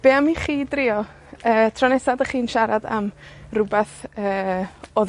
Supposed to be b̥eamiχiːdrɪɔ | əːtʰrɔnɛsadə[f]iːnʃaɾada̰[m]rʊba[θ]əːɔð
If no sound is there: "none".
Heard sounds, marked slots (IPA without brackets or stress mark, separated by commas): χ, m, θ